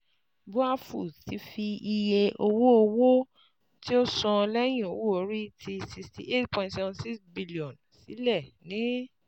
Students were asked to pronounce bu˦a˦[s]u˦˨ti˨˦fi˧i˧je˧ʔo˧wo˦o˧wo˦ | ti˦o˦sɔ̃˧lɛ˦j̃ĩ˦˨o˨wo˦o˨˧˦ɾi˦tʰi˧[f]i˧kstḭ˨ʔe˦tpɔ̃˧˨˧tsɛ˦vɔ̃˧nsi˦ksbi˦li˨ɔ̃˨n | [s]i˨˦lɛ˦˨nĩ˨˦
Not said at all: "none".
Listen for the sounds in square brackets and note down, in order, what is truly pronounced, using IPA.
f, s, s

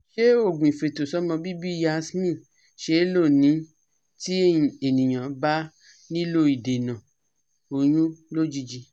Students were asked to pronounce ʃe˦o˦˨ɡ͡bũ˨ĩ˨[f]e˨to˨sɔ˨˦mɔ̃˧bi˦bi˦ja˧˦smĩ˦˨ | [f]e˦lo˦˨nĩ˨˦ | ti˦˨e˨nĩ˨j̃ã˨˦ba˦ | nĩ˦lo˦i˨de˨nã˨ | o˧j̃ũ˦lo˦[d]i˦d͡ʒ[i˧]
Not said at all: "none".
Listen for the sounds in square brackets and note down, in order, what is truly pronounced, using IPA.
f, ʃ, d͡ʒ, i˧

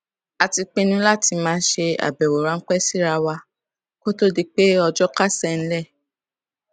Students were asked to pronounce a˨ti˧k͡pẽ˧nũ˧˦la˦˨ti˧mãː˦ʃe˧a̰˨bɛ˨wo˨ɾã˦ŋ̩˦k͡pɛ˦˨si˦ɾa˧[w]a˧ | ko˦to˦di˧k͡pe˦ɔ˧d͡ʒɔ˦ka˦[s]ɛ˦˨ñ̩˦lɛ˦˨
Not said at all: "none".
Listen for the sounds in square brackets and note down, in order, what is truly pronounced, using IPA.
w, s

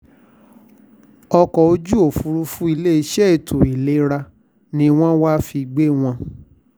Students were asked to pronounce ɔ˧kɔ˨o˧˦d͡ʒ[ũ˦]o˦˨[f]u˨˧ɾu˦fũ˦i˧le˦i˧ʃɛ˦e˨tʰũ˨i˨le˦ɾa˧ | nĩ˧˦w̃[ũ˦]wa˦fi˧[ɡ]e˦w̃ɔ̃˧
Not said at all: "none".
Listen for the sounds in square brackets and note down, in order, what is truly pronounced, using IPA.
u˦, f, ɔ̃˦, ɡ͡b

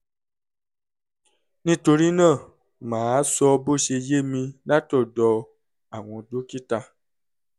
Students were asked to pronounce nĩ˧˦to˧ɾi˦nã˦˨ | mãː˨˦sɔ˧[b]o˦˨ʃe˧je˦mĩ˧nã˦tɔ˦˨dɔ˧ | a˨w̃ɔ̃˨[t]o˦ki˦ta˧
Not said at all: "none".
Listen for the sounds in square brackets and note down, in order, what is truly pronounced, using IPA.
b, d

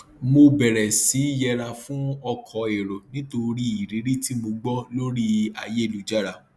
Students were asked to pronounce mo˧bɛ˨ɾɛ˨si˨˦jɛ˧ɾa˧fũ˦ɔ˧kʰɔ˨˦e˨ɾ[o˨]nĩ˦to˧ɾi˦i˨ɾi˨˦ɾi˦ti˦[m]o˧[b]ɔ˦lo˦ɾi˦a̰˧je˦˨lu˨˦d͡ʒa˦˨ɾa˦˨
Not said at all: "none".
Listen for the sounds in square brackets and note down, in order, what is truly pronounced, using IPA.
o˨, m, ɡ͡b

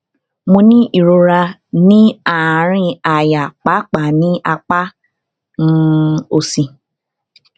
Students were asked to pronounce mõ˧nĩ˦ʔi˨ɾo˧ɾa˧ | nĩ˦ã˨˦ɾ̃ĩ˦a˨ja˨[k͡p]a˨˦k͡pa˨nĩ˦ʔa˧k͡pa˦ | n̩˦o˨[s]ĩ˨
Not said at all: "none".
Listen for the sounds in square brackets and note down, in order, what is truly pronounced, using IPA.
k͡p, s

